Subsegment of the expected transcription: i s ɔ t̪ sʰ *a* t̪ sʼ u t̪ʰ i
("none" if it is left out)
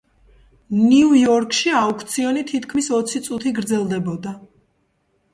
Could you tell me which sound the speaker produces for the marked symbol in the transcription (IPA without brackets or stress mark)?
i